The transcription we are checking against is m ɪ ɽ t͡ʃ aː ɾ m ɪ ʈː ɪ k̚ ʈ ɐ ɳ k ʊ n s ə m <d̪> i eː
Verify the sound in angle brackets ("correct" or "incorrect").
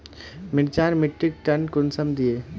correct